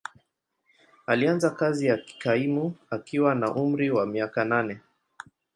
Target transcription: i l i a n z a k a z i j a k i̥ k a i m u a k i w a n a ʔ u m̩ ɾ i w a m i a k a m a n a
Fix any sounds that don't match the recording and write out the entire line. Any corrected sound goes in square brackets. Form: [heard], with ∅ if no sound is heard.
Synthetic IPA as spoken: [a] l i a n z a k a z i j a k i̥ k a i m u a k i w a n a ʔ u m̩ ɾ i w a m i a k a [n] a n [ɛ]